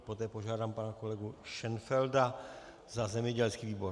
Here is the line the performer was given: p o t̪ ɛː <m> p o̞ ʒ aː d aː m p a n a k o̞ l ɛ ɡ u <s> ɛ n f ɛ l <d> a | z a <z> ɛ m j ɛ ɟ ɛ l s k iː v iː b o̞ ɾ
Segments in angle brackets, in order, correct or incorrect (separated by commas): incorrect, incorrect, correct, correct